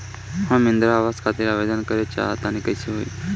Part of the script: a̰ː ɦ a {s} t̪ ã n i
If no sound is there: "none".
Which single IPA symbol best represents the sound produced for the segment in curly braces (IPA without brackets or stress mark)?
none